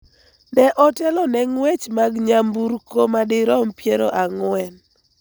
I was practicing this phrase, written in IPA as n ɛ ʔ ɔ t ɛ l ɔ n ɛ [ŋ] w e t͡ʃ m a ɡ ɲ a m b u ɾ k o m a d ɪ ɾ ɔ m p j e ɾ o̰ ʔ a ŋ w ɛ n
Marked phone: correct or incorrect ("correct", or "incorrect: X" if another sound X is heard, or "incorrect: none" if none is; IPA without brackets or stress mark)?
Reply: correct